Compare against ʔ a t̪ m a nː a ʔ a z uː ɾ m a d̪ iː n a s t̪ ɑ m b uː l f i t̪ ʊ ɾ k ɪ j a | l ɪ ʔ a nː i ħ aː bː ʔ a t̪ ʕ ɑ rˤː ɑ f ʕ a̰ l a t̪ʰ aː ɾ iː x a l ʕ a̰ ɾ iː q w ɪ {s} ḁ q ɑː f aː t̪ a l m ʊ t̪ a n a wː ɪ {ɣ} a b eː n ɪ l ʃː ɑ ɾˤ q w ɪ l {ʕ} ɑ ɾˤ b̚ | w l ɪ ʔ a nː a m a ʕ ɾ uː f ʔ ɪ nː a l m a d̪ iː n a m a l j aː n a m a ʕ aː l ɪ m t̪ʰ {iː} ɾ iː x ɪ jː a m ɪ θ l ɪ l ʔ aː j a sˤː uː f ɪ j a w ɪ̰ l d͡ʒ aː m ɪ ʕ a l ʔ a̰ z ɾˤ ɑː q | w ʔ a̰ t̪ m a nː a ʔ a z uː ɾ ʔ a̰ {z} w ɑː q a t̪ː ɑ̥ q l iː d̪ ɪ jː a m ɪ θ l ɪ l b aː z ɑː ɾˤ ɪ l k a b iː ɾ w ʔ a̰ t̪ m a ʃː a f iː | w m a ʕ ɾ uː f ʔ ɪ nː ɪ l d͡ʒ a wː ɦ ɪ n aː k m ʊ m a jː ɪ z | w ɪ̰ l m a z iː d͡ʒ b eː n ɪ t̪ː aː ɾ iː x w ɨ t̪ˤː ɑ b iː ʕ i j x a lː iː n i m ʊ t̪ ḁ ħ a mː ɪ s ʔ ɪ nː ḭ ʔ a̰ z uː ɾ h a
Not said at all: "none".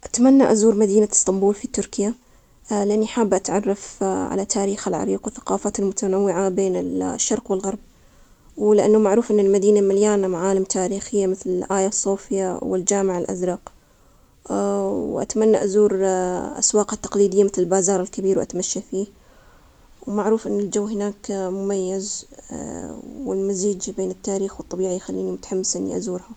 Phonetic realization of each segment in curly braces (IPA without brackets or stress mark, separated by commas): θ, ʕ, ɣ, aː, s